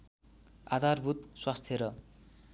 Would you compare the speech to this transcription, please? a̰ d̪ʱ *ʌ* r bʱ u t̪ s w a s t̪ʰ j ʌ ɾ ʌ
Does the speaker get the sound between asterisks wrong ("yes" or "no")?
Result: yes